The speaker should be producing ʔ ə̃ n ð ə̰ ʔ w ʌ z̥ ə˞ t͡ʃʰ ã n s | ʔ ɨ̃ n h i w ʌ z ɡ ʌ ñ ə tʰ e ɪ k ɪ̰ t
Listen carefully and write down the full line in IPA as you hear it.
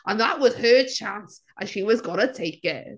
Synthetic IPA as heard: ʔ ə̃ n ð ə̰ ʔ w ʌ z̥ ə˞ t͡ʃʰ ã n s | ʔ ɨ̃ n ʃ i w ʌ z ɡ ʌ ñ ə tʰ e ɪ k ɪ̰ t